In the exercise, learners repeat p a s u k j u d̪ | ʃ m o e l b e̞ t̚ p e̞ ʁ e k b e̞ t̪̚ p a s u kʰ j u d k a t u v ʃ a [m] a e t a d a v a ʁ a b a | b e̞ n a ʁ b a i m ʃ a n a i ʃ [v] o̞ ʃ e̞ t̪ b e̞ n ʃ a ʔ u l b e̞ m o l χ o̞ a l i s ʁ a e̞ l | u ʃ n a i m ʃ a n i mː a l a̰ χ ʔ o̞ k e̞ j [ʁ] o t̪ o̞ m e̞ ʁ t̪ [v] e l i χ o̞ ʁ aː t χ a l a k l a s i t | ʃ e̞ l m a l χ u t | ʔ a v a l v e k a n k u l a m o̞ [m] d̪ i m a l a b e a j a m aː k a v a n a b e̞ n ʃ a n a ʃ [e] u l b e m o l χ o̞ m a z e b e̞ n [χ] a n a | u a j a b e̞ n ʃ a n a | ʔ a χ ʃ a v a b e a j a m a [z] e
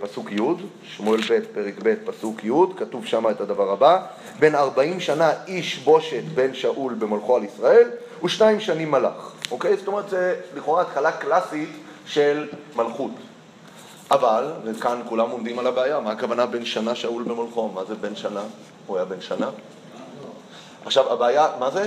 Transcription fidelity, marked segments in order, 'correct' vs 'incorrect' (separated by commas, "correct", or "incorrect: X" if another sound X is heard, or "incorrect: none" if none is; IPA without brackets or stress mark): correct, incorrect: b, incorrect: z, incorrect: z, correct, incorrect: a, incorrect: ʃ, correct